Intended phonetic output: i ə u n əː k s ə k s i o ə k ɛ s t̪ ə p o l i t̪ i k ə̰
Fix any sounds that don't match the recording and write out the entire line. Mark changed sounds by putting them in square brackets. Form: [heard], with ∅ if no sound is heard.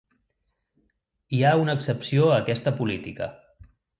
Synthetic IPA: i [a] u n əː k s ə [p] s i o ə k ɛ s t̪ ə p [u] l i t̪ i k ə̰